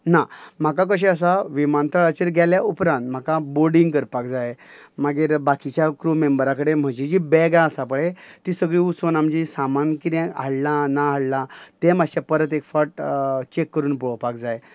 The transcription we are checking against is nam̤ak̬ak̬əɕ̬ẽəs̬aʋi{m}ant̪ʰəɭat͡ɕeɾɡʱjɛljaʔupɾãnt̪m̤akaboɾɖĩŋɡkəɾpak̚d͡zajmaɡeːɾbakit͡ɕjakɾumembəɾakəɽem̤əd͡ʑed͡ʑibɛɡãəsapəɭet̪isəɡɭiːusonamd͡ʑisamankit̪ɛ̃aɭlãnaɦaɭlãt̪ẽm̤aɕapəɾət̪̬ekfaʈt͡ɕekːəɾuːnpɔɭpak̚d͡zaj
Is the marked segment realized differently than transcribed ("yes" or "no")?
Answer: no